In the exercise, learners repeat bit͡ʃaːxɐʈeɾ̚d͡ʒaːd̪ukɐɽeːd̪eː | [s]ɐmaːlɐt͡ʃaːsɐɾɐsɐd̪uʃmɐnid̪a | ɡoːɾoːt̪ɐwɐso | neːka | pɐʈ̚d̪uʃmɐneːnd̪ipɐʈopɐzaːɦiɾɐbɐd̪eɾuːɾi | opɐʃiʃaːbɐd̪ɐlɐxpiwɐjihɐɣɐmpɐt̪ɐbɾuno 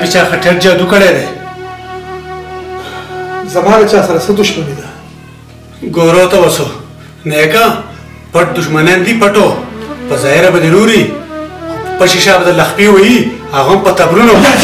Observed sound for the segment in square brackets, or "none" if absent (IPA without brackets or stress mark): z